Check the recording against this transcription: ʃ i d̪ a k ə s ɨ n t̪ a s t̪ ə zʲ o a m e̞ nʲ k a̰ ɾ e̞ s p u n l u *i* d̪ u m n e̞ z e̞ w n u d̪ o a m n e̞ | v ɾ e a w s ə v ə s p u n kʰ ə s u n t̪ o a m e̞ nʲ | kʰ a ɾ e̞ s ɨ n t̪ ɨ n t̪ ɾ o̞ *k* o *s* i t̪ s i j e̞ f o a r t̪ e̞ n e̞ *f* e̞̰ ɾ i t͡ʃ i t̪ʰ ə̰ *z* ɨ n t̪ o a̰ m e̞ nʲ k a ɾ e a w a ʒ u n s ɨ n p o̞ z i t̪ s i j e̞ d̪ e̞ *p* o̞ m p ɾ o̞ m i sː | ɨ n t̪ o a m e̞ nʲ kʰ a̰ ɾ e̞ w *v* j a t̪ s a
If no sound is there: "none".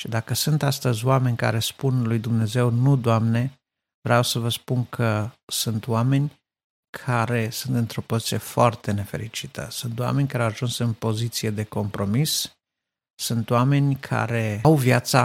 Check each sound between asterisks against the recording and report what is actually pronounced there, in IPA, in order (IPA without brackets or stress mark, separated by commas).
j, p, z, f, s, k, v